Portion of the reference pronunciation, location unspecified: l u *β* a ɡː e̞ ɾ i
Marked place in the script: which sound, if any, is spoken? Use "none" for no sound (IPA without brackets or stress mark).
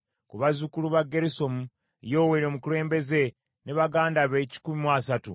β